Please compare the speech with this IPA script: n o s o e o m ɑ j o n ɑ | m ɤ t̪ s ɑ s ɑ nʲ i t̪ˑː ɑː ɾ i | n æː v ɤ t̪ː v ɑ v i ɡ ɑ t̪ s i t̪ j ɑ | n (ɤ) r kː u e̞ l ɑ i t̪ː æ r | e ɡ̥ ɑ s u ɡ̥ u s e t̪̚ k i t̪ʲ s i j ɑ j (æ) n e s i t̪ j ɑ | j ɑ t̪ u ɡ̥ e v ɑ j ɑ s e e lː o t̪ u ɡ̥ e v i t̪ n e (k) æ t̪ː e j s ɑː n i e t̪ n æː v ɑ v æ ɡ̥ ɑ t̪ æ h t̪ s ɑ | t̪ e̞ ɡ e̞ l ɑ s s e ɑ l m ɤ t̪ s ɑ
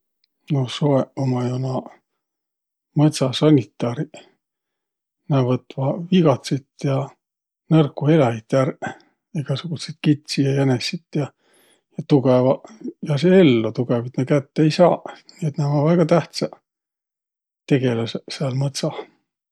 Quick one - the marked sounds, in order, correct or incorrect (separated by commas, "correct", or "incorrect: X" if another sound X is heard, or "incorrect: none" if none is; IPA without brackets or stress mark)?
correct, correct, correct